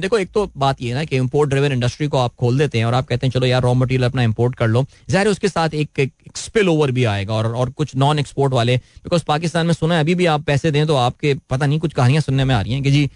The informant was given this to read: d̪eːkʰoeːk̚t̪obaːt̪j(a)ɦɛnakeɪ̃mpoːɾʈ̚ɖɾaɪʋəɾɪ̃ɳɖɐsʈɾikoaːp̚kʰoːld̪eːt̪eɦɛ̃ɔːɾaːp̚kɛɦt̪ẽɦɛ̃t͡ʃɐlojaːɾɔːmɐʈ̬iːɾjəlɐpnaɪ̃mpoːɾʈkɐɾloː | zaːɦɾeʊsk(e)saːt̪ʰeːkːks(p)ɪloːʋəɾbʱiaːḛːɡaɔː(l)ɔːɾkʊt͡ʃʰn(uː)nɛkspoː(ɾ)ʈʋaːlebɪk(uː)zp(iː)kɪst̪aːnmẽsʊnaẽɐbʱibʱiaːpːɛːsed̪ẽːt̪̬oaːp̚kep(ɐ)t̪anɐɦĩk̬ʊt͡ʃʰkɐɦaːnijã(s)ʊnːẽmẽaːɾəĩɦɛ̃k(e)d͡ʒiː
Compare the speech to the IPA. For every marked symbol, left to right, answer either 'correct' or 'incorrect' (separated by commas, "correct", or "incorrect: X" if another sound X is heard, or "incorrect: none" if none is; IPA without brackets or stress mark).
incorrect: e, correct, correct, incorrect: ɾ, incorrect: ɔː, correct, incorrect: ɔː, incorrect: aː, correct, correct, correct